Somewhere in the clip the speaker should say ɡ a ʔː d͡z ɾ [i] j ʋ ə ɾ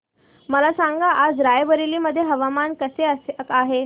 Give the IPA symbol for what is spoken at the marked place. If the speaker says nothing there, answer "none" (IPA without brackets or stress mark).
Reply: a